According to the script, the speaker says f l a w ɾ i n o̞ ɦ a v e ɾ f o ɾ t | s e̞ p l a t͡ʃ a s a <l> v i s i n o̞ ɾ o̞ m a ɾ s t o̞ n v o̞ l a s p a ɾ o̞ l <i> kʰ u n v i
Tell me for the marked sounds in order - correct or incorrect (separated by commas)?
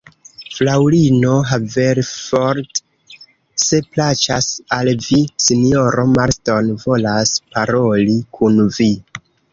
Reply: correct, correct